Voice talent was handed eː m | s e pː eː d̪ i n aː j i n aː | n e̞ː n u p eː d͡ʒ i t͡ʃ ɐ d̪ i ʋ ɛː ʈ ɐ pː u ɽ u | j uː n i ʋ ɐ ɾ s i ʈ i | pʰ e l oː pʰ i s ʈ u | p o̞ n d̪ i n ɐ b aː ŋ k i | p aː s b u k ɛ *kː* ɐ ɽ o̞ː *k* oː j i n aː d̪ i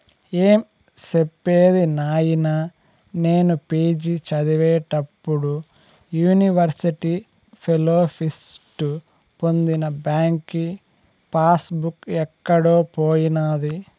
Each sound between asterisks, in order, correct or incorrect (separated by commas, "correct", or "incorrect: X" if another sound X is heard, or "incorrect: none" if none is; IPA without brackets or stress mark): correct, incorrect: p